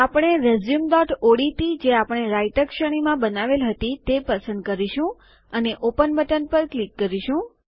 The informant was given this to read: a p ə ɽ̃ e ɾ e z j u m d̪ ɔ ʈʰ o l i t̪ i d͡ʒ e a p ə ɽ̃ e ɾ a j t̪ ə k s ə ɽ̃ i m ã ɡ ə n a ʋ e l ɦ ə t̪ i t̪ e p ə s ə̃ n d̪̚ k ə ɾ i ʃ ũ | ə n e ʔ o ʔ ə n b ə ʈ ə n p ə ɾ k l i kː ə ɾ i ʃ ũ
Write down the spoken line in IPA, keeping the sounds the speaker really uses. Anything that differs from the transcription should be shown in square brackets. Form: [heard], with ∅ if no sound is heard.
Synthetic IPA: a p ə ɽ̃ e ɾ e z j u m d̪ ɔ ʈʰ o [ɽ] i t̪ i d͡ʒ e a p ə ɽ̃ e ɾ a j t̪ ə k [ʃ] ə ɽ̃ i m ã [b] ə n a ʋ e l ɦ ə t̪ i t̪ e p ə s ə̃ n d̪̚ k ə ɾ i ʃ ũ | ə n e ʔ o [p] ə n b ə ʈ ə n p ə ɾ k l i kː ə ɾ i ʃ ũ